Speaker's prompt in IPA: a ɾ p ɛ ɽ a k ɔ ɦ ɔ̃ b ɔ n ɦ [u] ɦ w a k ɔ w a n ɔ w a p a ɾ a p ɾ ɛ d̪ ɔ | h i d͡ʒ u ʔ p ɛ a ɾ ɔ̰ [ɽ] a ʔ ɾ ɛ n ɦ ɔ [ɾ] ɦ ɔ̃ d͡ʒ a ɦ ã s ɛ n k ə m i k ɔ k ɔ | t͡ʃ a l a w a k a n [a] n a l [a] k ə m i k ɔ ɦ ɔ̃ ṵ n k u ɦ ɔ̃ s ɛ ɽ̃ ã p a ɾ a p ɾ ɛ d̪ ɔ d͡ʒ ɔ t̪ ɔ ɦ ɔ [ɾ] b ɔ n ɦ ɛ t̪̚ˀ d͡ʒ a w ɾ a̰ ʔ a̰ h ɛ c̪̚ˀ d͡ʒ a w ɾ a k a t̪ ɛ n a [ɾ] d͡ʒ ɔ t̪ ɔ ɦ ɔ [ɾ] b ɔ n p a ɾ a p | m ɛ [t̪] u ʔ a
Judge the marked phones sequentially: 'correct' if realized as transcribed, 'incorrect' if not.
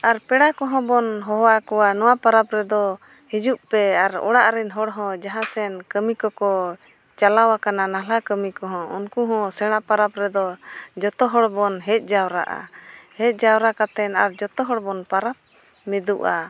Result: incorrect, correct, incorrect, correct, correct, incorrect, correct, incorrect, incorrect

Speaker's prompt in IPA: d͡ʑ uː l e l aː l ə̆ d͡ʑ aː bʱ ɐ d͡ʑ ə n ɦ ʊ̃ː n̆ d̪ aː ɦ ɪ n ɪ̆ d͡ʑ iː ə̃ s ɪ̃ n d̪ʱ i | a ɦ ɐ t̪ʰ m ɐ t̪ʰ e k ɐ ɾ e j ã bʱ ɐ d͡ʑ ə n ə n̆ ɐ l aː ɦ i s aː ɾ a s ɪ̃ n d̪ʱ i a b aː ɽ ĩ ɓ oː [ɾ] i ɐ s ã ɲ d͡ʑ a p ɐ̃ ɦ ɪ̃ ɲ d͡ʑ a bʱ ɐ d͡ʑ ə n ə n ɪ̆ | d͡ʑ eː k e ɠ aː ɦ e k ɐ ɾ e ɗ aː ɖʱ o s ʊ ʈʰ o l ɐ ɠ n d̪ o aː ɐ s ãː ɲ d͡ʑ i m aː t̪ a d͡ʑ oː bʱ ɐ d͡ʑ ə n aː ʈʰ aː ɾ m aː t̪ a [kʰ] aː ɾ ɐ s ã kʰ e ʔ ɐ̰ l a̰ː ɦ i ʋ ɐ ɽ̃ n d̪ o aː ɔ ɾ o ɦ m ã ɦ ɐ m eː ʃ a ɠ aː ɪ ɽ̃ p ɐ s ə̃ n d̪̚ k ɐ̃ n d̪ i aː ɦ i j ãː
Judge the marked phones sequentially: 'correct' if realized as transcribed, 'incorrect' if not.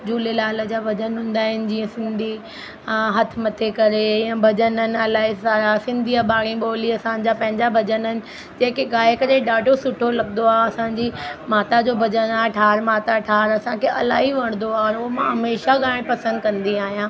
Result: incorrect, incorrect

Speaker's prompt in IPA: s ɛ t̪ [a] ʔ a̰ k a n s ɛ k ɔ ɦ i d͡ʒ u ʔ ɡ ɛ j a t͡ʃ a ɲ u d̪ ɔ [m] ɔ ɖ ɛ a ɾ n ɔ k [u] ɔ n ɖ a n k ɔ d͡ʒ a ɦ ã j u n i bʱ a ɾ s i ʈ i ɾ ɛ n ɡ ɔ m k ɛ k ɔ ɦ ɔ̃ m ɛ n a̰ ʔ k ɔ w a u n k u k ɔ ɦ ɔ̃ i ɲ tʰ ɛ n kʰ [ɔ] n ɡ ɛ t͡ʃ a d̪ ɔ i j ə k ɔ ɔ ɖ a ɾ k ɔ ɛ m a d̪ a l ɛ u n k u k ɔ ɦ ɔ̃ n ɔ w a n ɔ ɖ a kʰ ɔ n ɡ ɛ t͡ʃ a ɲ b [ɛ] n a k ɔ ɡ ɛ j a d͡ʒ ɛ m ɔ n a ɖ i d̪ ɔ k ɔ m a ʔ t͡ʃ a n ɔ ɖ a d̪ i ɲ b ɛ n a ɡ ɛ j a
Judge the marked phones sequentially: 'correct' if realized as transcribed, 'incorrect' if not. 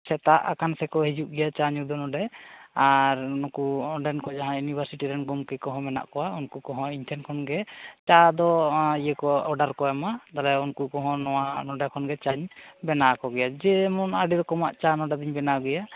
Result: correct, incorrect, correct, correct, correct

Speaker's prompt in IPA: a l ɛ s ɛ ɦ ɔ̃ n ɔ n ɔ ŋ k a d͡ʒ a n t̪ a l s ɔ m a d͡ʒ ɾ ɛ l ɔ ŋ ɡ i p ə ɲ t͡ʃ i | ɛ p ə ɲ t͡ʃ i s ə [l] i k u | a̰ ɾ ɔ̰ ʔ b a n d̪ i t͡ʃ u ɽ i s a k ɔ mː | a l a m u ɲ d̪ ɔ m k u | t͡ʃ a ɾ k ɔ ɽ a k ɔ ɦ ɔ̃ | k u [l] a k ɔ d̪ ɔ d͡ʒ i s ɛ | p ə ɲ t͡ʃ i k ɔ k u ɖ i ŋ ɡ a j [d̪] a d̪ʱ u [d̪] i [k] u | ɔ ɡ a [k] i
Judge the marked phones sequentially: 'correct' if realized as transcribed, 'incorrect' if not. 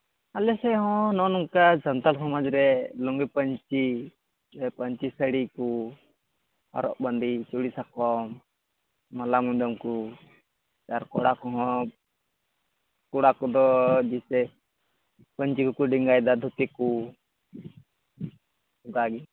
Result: incorrect, incorrect, correct, incorrect, correct, incorrect

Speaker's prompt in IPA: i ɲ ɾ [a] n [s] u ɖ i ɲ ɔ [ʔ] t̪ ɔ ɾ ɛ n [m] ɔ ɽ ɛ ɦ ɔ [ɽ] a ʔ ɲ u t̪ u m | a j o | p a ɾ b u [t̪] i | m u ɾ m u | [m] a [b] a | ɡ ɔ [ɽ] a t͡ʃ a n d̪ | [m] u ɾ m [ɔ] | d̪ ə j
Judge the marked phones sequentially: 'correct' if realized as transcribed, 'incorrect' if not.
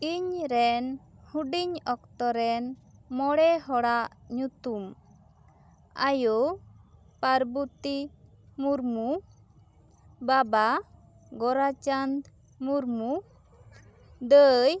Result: incorrect, incorrect, incorrect, correct, correct, correct, incorrect, correct, incorrect, correct, incorrect

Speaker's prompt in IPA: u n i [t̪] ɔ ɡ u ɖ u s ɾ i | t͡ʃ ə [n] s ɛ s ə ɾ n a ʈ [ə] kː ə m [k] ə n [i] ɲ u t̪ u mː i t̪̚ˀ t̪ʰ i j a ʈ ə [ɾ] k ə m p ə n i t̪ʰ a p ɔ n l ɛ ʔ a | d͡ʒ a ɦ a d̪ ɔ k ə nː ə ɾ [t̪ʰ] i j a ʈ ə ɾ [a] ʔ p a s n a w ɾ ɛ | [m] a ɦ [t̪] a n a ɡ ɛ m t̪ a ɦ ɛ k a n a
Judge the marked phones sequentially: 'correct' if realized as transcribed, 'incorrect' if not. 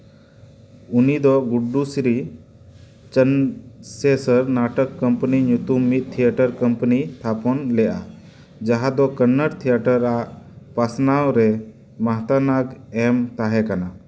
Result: incorrect, correct, correct, incorrect, correct, correct, correct, correct, correct, correct

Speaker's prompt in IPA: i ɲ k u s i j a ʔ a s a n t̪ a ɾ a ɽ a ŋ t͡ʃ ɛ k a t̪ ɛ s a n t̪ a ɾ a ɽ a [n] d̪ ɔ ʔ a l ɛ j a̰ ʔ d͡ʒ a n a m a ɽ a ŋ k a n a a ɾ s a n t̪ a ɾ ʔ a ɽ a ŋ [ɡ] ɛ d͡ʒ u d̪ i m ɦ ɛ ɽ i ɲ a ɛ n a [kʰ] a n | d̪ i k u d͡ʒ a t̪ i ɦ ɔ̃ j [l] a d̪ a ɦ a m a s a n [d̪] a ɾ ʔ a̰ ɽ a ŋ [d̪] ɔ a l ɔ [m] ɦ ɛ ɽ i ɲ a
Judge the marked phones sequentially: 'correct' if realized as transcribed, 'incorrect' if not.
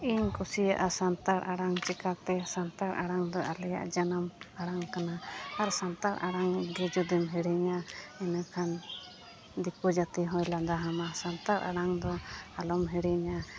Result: incorrect, correct, correct, correct, incorrect, correct, correct

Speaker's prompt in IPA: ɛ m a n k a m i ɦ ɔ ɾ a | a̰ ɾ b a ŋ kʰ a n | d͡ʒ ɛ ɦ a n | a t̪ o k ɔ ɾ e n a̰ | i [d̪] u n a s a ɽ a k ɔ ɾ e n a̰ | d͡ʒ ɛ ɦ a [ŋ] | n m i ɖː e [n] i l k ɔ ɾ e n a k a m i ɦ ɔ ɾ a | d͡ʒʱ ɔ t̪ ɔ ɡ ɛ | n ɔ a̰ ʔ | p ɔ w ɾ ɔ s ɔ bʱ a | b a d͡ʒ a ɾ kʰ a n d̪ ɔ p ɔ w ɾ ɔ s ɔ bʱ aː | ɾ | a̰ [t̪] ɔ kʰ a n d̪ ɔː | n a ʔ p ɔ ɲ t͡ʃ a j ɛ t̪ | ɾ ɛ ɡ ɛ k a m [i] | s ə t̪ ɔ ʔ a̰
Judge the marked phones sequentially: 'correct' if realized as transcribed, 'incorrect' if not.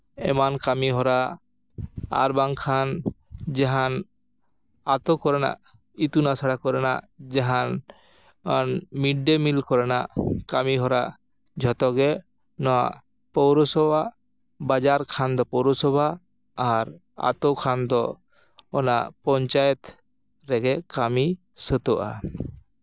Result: incorrect, incorrect, incorrect, correct, correct

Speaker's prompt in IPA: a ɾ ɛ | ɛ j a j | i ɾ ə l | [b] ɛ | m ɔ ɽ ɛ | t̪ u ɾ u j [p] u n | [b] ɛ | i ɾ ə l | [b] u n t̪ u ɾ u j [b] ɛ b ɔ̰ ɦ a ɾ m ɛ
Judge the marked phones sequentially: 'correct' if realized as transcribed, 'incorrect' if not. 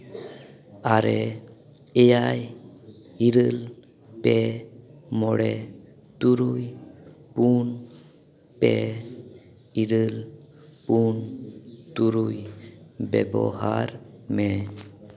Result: incorrect, correct, incorrect, incorrect, correct

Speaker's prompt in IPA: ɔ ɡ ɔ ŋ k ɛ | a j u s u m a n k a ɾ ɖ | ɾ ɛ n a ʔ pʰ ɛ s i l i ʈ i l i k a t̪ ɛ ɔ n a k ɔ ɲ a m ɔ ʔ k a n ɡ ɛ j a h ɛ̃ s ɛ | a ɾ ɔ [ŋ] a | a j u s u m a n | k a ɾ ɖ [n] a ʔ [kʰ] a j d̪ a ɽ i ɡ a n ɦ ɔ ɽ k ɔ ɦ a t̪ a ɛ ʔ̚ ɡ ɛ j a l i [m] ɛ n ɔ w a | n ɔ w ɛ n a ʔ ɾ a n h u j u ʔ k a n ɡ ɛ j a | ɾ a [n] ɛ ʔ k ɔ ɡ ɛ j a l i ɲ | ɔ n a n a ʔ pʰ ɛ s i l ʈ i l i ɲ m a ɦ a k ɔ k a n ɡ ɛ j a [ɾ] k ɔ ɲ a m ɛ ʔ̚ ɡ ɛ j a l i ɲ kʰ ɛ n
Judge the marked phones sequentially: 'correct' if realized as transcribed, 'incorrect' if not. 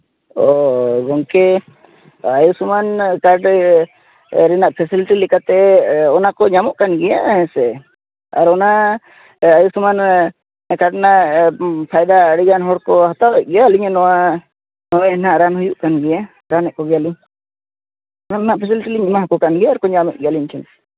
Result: incorrect, correct, incorrect, incorrect, correct, correct

